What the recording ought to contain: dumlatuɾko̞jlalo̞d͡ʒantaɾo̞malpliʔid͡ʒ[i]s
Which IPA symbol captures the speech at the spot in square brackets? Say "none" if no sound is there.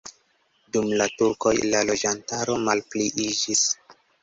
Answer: i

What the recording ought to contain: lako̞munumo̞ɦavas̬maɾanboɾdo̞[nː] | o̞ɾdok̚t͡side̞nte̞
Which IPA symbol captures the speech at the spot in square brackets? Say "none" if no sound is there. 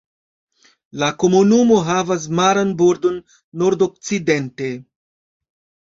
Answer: nː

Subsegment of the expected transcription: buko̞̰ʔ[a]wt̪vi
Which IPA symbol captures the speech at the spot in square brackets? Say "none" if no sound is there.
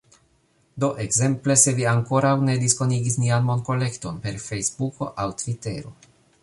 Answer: a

